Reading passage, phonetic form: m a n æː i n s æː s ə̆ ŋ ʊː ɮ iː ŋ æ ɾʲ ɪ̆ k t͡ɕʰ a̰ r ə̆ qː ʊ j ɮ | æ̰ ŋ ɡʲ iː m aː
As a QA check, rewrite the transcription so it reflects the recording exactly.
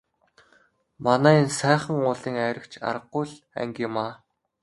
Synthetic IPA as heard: m a n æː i n s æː χ ə̆ ŋ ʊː ɮ iː ŋ æ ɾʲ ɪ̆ k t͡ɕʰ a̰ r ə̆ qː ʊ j ɮ | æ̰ ŋ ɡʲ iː m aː